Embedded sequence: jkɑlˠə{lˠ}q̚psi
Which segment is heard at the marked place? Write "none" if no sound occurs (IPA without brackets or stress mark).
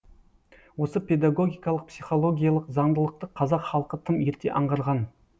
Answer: none